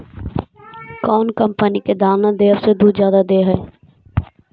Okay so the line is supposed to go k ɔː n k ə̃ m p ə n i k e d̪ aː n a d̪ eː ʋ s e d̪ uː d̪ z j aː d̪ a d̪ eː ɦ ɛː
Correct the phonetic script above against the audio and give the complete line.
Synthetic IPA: k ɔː n k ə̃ m p ə n i k e d̪ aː n a d̪ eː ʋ s e d̪ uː d̪ z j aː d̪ a d̪ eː ɦ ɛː